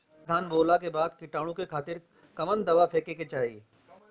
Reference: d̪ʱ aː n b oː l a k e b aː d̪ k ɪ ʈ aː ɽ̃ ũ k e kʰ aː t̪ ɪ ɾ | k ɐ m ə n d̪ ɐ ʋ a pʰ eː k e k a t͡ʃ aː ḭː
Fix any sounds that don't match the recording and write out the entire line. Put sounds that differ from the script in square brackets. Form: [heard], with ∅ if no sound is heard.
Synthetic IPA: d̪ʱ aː n b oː l a k e b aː d̪ k ɪ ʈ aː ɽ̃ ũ k e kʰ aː t̪ ɪ ɾ | k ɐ m ə n d̪ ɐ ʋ a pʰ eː k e k [e] t͡ʃ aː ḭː